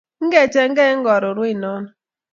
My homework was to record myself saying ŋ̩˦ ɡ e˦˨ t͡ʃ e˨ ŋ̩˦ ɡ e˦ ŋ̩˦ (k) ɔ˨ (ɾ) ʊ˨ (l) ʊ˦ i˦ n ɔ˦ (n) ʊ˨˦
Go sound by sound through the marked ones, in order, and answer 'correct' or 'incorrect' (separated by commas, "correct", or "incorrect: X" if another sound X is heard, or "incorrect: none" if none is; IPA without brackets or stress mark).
incorrect: ɡ, correct, incorrect: ɾ, correct